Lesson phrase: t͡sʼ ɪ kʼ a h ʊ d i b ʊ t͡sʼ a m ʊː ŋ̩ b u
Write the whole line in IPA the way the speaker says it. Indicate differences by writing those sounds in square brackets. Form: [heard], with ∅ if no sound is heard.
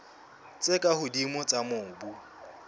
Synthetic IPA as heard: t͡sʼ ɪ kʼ a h ʊ d i [m] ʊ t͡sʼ a m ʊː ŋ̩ b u

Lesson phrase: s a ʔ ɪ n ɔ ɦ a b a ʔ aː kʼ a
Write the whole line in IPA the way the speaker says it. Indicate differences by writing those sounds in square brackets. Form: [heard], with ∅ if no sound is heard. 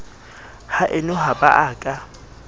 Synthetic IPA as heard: [h] a ʔ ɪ n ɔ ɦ a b a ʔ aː kʼ a

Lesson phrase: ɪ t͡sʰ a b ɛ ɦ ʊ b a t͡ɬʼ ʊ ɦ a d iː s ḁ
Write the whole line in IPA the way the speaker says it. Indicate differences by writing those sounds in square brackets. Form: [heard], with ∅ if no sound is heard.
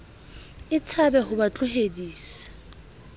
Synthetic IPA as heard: ɪ t͡sʰ a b ɛ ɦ ʊ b a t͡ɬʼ ʊ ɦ [e] d iː s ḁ

